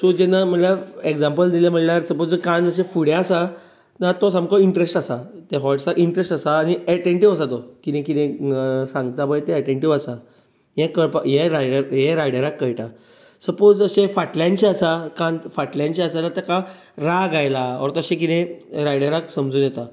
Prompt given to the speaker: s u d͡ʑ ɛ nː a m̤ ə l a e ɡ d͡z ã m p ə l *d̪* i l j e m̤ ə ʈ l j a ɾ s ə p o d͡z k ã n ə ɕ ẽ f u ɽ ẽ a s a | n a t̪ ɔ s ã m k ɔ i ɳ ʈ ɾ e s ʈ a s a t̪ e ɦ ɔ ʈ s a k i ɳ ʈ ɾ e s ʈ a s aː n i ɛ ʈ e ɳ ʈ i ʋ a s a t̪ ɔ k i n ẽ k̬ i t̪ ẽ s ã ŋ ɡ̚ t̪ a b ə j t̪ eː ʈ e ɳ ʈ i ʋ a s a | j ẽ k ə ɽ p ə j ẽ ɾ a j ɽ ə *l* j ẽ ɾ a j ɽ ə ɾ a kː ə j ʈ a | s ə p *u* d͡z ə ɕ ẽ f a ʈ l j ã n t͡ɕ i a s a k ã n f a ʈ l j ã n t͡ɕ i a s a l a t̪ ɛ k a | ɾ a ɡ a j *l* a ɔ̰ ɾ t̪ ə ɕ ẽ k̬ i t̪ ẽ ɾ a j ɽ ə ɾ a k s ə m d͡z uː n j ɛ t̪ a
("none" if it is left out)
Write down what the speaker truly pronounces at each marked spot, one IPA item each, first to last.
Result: d̪, ɾ, o, l

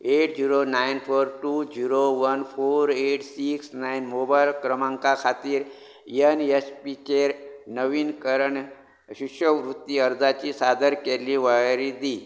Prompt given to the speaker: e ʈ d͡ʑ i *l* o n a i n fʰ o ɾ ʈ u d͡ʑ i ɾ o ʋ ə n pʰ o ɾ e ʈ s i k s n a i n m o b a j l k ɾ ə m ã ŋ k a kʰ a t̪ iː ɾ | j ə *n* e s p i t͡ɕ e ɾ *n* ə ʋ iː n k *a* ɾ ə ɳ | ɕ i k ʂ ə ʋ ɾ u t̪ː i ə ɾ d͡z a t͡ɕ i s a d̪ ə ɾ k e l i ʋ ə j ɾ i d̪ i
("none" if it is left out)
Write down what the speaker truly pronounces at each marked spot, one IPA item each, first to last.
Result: ɾ, n, n, ə

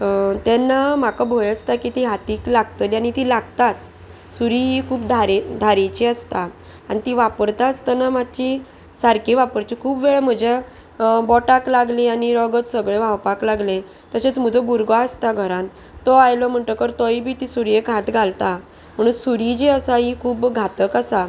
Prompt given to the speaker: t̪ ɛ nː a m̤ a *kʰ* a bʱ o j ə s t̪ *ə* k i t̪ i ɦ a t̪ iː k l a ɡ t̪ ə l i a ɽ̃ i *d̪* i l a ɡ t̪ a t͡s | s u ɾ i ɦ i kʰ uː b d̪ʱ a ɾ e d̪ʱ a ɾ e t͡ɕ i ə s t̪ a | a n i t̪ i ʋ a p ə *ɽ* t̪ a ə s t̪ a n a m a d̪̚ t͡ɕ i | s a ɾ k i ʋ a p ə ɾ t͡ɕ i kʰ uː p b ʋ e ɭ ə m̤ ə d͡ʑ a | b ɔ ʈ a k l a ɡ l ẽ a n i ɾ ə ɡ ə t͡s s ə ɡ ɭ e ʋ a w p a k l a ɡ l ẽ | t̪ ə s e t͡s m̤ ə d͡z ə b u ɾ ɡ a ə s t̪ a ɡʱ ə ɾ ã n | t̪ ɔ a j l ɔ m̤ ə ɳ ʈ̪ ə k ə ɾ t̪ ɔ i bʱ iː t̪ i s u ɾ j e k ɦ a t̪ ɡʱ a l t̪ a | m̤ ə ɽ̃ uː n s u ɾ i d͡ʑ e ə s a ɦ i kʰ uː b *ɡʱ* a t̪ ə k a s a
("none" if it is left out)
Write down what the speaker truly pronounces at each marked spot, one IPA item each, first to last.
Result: k, a, t̪, ɾ, ɡʱ

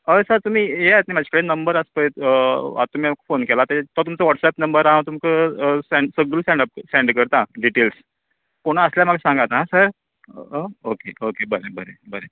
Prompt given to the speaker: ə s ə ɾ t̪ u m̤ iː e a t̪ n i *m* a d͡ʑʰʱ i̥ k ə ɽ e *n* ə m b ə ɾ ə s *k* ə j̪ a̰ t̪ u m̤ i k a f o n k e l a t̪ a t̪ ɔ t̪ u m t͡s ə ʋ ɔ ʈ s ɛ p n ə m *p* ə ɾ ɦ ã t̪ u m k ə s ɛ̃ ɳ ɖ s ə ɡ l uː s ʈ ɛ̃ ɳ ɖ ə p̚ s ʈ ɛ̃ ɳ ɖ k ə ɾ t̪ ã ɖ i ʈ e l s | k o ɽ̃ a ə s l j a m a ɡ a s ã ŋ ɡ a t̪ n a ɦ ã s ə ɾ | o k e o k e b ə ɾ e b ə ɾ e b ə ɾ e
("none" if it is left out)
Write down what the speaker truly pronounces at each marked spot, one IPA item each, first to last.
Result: m, n, p, b

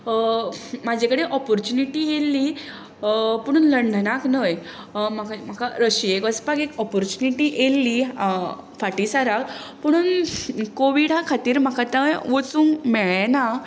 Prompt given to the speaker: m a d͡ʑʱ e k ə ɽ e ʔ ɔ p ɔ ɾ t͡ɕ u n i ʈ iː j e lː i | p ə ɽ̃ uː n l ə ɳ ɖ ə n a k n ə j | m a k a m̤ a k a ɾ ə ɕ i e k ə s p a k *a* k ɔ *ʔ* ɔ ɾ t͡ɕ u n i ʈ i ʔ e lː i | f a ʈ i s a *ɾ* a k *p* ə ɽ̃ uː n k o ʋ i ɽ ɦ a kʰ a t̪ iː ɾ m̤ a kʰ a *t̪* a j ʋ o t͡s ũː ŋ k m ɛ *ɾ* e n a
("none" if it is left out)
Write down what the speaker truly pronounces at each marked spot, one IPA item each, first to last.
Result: e, p, ɾ, p, t̪, ɭ

